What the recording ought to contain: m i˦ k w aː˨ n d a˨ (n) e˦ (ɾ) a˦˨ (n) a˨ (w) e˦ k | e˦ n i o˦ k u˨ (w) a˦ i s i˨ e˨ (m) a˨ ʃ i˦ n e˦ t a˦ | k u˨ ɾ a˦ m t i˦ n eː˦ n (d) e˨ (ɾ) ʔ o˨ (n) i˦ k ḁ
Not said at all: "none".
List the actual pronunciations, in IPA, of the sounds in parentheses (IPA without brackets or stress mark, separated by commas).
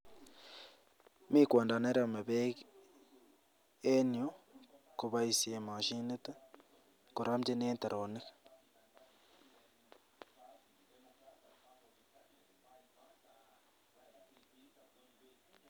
n, ɾ, m, β, β, m, t, ɾ, n